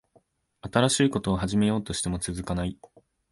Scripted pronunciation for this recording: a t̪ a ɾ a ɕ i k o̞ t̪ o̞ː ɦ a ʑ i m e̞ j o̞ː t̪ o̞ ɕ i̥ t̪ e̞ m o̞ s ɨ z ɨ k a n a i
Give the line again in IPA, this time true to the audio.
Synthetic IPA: a t̪ a ɾ a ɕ iː k o̞ t̪ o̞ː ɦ a ʑ i m e̞ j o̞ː t̪ o̞ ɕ i̥ t̪ e̞ m o̞ t͡s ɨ z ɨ k a n a i